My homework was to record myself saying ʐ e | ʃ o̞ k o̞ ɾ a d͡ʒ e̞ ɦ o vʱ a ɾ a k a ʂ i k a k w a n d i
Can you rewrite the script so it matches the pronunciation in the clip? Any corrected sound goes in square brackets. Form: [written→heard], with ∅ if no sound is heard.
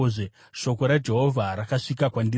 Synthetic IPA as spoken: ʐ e | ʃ o̞ k o̞ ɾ a d͡ʒ e̞ ɦ o vʱ a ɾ a k a ʂ i k a k w a n d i